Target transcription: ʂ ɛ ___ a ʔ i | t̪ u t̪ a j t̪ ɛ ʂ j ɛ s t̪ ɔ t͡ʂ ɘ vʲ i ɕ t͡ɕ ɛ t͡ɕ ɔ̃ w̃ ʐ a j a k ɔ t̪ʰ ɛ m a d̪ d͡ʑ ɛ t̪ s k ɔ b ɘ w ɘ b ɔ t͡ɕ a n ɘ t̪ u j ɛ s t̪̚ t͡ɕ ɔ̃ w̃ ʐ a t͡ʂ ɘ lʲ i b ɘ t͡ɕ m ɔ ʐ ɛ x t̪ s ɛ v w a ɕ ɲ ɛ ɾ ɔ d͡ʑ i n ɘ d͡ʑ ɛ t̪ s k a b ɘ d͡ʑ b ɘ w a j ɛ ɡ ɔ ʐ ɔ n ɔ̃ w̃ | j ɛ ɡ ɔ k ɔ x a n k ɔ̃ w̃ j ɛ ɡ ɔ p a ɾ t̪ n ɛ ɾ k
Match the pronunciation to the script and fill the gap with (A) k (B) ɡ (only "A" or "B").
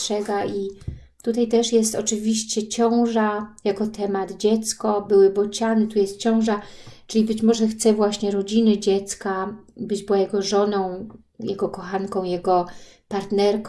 B